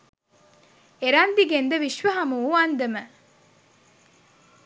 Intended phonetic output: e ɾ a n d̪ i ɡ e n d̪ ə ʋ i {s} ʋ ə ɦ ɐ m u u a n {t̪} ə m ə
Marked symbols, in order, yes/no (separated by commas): no, no